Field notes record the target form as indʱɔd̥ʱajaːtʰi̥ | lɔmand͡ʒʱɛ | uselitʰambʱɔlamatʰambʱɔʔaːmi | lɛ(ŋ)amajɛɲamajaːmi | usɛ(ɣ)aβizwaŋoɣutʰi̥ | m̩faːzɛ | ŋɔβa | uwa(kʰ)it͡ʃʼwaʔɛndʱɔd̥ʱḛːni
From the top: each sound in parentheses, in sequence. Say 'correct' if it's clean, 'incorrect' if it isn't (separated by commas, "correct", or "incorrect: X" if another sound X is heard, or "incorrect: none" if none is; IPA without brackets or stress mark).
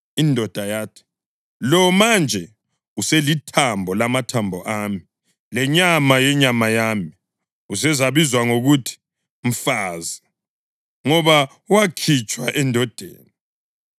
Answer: incorrect: ɲ, incorrect: z, correct